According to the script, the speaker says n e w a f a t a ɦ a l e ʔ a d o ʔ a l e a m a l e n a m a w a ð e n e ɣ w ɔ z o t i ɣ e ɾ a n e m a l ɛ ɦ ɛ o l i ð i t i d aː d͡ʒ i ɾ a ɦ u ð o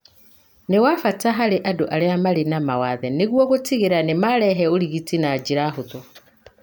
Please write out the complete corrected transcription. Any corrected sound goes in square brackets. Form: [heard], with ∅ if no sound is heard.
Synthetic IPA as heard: n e w a f a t a ɦ a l e ʔ a d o ʔ a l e a m a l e n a m a w a ð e n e ɣ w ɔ [ɣ] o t i ɣ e ɾ a n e m a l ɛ ɦ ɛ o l i [ɣ] i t i [n] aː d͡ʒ i ɾ a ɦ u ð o